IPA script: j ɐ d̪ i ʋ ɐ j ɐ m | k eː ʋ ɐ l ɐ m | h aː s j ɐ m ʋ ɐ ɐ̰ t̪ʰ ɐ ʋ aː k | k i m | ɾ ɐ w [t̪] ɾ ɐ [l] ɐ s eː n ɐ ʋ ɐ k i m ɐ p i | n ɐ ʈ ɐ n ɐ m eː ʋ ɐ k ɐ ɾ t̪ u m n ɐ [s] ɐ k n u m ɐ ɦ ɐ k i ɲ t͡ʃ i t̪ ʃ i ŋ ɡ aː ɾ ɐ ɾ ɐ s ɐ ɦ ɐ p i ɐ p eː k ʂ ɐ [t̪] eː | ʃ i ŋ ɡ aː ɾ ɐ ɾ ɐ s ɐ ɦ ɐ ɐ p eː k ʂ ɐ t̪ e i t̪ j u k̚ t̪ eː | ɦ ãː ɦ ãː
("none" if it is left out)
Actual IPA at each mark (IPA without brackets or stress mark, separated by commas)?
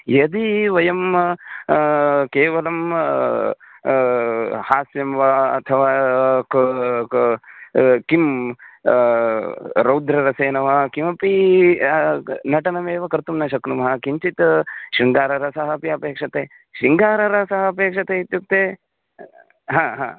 d̪, ɾ, ʃ, t̪